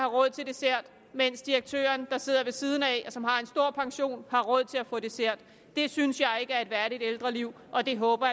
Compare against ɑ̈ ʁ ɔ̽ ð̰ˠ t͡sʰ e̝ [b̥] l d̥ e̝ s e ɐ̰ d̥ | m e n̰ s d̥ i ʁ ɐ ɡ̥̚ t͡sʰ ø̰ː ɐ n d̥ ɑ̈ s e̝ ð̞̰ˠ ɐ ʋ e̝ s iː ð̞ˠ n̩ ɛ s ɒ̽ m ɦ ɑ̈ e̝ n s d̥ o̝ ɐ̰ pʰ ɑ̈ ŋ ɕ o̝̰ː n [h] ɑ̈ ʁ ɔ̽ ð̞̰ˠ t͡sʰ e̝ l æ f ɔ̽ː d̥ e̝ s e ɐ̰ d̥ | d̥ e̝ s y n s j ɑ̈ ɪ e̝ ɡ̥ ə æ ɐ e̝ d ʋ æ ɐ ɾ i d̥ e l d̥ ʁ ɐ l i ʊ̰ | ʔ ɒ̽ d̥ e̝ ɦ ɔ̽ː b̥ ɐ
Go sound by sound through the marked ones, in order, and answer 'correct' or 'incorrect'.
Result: incorrect: none, correct

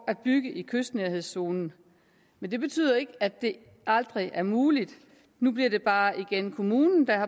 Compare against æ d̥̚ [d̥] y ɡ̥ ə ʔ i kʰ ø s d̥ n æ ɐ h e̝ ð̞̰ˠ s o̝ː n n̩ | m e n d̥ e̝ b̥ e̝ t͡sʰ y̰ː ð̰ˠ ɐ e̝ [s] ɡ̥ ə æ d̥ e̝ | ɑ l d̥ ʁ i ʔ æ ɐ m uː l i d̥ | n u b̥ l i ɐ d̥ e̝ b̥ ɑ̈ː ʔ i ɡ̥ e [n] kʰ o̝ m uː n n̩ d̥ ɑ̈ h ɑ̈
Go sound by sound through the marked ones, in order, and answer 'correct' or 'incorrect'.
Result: incorrect: b̥, incorrect: none, correct

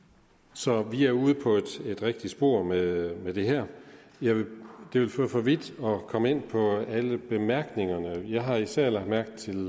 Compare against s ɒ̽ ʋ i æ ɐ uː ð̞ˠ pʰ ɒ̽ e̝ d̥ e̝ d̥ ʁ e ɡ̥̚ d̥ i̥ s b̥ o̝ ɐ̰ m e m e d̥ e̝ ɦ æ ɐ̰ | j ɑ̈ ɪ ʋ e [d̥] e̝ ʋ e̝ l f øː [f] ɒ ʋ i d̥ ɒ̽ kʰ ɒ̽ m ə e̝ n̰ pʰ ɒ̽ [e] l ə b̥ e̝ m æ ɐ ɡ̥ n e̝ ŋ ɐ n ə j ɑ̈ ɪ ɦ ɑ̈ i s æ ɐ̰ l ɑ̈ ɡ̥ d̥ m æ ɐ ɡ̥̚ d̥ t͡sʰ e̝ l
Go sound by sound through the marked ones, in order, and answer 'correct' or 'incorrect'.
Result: correct, correct, incorrect: æ

